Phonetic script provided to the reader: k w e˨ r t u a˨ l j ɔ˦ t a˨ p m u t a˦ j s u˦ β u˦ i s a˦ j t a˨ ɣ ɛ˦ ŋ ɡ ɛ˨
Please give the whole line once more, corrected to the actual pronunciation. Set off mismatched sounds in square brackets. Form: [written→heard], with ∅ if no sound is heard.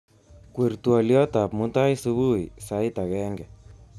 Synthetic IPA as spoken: k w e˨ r t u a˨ l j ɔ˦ t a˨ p m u t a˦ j s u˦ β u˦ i s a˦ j t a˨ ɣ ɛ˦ ŋ ɡ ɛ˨